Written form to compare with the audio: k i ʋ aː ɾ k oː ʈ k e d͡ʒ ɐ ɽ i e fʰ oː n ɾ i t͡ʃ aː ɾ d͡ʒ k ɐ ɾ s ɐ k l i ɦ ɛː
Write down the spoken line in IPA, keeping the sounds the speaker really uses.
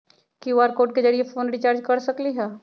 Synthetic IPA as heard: k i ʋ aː ɾ k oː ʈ k e d͡ʒ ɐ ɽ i e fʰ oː n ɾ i t͡ʃ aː ɾ d͡ʒ k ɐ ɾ s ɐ k l i ɦ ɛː